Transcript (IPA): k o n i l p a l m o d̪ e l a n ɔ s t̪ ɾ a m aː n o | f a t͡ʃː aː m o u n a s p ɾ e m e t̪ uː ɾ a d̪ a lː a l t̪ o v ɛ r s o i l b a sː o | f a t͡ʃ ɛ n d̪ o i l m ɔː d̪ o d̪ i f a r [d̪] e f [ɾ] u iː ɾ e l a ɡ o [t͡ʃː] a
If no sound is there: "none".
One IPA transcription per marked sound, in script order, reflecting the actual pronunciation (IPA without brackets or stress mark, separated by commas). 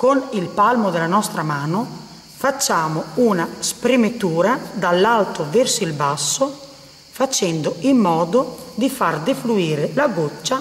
d̪, l, t͡ʃː